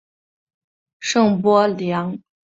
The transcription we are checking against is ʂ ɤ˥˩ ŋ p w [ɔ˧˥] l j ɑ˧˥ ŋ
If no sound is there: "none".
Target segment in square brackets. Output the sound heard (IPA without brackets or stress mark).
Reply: ɔ˥